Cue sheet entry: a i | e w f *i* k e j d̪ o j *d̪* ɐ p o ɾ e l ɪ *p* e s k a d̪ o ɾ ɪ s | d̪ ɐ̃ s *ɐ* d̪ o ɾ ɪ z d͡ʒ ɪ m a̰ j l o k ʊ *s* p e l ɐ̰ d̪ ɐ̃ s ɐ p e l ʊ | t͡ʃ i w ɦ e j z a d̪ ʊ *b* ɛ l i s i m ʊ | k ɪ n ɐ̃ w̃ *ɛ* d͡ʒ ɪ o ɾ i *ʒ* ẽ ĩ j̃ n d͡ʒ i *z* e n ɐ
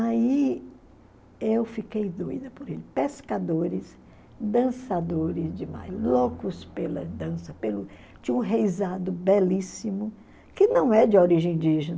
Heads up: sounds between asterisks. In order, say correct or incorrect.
correct, correct, correct, incorrect, correct, correct, correct, correct, incorrect

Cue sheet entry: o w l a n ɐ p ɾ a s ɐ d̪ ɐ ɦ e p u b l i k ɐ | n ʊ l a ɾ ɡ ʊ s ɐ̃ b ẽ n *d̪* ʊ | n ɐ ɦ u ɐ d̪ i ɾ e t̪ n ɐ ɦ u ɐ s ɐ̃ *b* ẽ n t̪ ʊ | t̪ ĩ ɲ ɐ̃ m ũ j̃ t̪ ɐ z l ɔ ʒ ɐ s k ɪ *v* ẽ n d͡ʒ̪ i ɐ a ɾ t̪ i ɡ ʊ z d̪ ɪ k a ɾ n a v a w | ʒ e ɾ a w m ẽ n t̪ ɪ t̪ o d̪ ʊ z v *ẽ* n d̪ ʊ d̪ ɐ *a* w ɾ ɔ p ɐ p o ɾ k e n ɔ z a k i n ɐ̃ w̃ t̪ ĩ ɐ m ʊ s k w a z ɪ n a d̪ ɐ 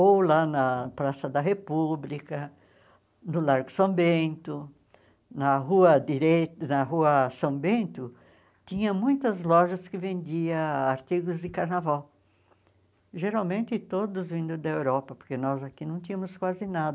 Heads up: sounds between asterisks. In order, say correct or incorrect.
incorrect, correct, correct, incorrect, incorrect

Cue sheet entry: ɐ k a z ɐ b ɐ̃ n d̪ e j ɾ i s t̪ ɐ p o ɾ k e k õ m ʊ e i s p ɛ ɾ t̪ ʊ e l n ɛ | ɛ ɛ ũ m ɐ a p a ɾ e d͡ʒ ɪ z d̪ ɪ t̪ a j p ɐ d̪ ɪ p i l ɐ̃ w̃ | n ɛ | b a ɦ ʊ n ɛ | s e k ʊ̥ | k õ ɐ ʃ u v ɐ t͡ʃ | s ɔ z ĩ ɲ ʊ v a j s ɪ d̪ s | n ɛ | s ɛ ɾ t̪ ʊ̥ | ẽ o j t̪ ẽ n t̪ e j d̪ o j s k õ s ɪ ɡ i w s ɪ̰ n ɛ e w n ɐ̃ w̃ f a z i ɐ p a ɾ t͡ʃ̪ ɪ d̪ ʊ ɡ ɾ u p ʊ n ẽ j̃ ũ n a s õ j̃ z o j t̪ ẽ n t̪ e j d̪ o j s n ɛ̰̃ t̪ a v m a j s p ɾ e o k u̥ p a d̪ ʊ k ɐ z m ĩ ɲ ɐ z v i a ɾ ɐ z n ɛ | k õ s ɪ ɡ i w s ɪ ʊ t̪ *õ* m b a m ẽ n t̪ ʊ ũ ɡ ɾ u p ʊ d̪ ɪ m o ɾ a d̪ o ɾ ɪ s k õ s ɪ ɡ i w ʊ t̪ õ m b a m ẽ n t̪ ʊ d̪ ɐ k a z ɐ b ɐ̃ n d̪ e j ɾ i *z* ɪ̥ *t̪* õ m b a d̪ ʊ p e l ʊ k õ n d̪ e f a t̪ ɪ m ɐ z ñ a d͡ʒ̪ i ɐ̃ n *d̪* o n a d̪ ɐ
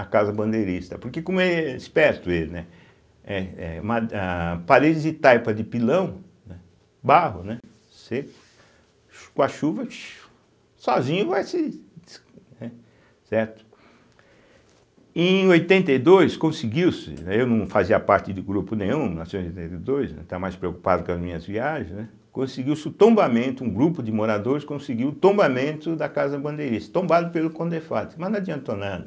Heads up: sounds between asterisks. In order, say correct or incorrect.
correct, incorrect, correct, incorrect

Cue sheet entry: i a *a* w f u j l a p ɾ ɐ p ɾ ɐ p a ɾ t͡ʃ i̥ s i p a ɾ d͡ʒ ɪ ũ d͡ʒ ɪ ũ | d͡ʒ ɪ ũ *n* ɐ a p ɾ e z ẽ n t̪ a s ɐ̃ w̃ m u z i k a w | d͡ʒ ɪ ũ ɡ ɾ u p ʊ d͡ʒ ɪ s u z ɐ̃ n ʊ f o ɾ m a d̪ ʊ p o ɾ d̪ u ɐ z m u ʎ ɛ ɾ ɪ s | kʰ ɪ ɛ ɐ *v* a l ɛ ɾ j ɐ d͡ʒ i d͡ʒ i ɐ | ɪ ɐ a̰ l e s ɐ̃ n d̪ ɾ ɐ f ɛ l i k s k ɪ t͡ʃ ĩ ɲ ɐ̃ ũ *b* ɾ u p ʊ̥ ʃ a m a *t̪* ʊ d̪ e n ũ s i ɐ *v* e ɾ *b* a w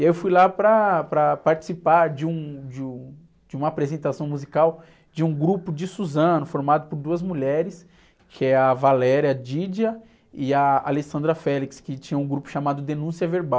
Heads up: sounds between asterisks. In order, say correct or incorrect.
incorrect, incorrect, correct, incorrect, incorrect, correct, correct

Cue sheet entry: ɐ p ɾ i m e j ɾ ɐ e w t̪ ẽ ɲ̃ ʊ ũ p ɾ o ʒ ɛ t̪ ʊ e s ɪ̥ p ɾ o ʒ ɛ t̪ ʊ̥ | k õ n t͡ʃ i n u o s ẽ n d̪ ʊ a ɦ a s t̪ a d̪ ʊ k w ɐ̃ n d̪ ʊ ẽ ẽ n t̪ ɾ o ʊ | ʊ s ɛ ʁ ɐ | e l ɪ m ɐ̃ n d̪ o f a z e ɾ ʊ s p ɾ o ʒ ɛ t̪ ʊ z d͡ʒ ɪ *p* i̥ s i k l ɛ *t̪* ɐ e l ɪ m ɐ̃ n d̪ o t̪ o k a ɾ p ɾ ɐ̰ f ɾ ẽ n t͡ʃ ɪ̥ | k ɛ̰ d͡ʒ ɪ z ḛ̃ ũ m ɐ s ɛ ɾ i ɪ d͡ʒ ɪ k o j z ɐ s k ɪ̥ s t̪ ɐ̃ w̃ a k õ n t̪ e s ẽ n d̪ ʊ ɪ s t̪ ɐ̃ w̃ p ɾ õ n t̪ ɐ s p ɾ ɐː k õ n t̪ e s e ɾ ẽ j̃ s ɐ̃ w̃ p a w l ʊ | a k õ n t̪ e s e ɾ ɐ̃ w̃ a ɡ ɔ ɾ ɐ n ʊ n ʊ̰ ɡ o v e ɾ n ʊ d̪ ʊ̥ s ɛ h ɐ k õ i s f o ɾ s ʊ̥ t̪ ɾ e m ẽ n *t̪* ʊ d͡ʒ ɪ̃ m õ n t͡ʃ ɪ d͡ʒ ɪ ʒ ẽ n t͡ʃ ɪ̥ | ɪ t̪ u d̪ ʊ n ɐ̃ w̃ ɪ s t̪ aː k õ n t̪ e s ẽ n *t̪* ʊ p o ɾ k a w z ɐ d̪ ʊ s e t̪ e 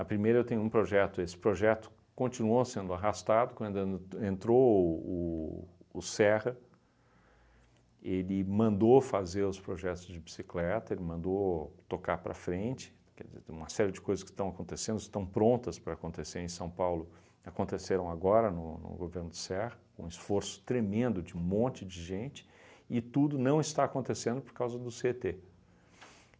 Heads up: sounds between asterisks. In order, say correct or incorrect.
incorrect, correct, incorrect, incorrect

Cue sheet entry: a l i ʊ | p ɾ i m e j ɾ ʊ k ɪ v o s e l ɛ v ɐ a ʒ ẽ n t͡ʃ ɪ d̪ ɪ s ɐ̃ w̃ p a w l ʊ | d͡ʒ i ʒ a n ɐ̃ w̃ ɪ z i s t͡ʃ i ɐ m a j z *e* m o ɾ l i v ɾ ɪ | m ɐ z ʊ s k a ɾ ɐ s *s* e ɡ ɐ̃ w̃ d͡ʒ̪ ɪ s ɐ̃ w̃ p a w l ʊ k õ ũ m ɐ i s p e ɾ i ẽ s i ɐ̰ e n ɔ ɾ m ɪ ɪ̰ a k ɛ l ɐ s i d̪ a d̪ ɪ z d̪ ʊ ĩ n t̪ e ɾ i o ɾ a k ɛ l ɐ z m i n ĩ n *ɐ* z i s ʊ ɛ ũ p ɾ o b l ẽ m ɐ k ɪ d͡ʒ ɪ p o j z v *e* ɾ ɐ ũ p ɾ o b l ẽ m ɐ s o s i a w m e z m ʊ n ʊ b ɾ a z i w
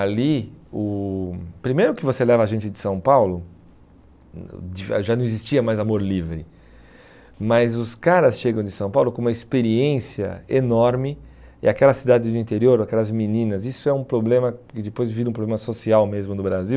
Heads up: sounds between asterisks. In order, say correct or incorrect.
incorrect, incorrect, correct, incorrect

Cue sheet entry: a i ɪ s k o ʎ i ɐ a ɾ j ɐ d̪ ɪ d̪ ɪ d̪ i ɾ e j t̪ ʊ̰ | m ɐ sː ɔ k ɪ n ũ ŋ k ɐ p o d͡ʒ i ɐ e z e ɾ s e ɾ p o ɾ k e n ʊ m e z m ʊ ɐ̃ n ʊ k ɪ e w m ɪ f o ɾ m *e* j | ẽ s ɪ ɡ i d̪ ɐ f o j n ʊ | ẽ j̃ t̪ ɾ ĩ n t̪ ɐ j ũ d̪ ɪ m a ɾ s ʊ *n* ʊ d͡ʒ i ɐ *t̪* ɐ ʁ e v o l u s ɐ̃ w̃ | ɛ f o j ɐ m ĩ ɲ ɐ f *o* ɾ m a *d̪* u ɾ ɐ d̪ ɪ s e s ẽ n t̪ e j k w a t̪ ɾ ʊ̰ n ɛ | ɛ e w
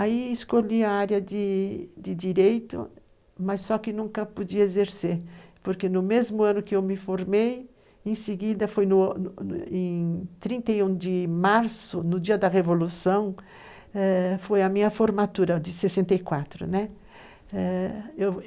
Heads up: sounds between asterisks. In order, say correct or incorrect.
correct, correct, incorrect, correct, incorrect

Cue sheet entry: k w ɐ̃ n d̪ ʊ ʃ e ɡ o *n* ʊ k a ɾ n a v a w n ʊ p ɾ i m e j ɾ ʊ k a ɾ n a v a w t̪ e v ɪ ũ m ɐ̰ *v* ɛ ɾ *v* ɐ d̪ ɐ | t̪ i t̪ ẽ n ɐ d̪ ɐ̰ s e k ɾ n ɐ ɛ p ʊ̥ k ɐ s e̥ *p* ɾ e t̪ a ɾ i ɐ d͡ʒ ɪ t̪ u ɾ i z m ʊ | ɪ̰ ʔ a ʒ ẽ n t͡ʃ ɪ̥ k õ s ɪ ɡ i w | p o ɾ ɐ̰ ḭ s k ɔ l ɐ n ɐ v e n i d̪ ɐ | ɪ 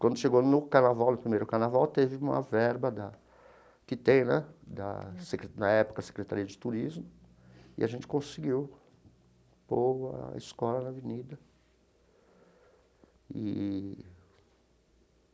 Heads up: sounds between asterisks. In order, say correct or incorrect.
correct, correct, incorrect, incorrect

